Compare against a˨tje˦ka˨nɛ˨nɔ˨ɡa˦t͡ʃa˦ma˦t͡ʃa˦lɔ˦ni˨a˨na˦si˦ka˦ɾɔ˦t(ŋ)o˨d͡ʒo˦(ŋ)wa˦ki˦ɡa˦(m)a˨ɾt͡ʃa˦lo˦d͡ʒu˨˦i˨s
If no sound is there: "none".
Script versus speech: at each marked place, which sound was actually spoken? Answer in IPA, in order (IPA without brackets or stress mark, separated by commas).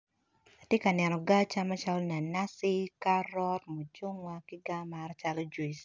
m, ŋ, m